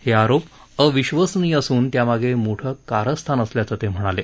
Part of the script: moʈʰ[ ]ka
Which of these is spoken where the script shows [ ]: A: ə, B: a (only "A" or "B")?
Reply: A